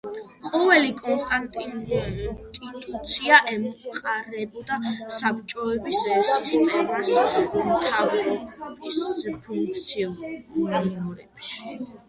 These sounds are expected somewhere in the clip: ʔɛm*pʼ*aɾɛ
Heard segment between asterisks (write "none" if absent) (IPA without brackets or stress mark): qʼ